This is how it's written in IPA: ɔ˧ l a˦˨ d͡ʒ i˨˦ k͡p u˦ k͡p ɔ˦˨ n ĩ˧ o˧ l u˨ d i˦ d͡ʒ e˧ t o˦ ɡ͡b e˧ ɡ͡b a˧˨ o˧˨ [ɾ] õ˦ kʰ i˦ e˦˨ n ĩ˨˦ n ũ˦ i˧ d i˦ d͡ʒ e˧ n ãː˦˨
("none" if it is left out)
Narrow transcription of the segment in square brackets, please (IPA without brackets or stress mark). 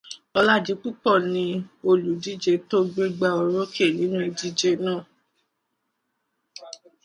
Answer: ɾ